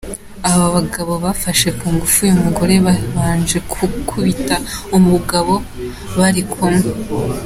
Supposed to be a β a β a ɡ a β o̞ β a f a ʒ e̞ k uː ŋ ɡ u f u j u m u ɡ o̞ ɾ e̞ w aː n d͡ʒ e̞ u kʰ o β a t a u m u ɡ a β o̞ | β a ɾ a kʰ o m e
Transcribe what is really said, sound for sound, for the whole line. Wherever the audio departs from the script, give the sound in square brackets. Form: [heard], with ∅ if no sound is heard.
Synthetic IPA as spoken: a β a β a ɡ a β o̞ β a f a [ʃ] e̞ k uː ŋ ɡ u f u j u m u ɡ o̞ ɾ e̞ [β] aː n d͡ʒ e̞ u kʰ [u] β [i] t a u m u ɡ a β o̞ | β a ɾ [i] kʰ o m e